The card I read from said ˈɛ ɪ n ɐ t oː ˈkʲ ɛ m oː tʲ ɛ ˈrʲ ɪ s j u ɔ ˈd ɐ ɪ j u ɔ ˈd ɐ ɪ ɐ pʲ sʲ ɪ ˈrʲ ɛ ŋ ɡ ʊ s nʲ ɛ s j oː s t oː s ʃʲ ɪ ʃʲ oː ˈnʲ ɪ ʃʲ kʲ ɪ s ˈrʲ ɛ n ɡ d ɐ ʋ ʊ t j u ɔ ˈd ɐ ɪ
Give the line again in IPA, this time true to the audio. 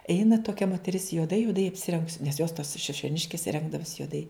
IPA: ˈɛ ɪ n ɐ t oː ˈkʲ ɛ m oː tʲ ɛ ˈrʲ ɪ s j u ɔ ˈd ɐ ɪ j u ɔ ˈd ɐ ɪ ɐ pʲ sʲ ɪ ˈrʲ ɛ ŋ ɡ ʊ s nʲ ɛ s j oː s t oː s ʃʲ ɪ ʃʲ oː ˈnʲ ɪ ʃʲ kʲ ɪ s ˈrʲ ɛ ŋ ɡ d ɐ ʋ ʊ s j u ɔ ˈd ɐ ɪ